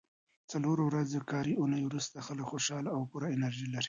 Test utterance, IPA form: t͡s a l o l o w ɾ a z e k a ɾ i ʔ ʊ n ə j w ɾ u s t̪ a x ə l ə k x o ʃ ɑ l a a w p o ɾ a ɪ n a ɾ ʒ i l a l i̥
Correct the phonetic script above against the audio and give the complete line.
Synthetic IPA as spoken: t͡s a l o ɾ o w ɾ a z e k ɑ ɾ i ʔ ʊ n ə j w ɾ u s t̪ a x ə l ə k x o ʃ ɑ l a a w p u ɾ a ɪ n a ɾ ʒ i l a ɾ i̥